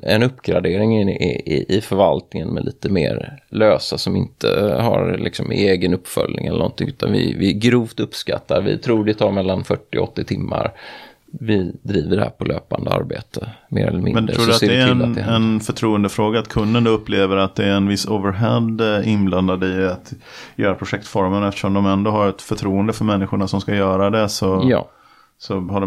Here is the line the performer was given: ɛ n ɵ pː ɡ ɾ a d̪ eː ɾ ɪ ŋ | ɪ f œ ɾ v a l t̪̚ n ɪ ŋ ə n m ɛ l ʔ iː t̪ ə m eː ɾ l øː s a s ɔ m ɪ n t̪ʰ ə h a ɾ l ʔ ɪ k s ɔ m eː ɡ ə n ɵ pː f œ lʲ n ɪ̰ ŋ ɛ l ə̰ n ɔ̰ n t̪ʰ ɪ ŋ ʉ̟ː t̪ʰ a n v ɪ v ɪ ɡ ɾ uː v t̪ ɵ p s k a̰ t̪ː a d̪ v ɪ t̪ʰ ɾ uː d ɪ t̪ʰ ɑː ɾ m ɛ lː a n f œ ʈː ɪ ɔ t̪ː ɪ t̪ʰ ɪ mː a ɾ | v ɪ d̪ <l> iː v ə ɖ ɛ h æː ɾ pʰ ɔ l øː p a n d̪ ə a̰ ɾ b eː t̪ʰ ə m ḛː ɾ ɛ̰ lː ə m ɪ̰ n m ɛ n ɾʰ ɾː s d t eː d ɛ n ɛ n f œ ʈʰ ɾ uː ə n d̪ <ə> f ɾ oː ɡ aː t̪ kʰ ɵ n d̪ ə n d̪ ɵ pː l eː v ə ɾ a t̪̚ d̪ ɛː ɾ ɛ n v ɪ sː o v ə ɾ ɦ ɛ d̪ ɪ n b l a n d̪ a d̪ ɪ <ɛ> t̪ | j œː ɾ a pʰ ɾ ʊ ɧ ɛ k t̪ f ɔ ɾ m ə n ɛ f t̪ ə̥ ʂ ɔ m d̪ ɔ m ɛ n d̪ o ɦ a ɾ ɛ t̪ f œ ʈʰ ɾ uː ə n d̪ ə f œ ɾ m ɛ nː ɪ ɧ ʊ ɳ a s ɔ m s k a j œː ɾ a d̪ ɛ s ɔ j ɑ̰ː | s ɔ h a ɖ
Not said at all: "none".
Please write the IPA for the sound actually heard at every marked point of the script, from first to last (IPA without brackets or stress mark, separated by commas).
ɾ, ə, a